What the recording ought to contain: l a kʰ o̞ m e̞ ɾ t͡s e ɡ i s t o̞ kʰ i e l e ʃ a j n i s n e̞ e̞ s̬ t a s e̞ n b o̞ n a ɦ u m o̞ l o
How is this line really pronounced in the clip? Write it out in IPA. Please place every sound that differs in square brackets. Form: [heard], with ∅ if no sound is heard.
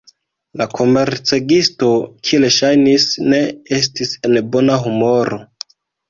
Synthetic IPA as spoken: l a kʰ o̞ m e̞ ɾ t͡s e ɡ i s t o̞ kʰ i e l e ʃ a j n i s n e̞ e̞ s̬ t [i] s e̞ n b o̞ n a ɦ u m o̞ [ɾ] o